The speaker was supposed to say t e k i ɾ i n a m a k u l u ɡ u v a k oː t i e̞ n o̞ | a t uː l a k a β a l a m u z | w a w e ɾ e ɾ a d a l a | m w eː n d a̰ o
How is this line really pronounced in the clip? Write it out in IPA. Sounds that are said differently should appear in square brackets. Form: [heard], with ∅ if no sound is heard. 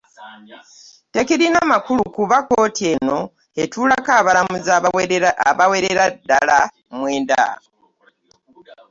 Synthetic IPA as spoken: t e k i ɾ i n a m a k u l u [k] u [β] a k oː t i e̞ n o̞ | [e] t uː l a k a β a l a m u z | [β] a w e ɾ e ɾ a d a l a | m w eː n d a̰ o